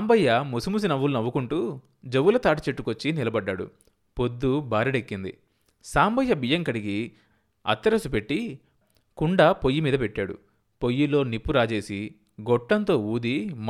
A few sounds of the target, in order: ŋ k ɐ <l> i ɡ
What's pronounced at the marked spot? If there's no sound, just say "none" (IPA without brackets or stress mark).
ɽ